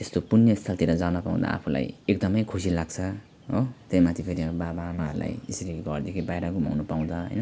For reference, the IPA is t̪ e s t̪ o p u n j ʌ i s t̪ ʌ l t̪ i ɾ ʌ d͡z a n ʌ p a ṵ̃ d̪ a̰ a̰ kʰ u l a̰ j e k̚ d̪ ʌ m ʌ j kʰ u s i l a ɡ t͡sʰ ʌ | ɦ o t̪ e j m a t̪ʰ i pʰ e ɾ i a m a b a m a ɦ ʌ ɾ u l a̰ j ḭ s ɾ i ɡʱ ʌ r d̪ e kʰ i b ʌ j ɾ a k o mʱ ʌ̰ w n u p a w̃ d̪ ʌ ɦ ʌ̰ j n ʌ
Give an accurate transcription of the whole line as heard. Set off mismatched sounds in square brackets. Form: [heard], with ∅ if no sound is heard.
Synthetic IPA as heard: t̪ e s t̪ o p u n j ʌ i s [t̪ʰ] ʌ l t̪ i ɾ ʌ d͡z a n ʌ p a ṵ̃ d̪ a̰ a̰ [pʰ] u l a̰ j e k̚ d̪ ʌ m ʌ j kʰ u s i l a ɡ t͡sʰ ʌ | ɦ o t̪ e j m a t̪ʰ i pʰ e ɾ i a [b] a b a m a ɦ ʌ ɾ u l a̰ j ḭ s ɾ i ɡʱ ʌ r d̪ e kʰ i b [a] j ɾ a k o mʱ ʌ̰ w n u p a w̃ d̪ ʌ ɦ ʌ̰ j n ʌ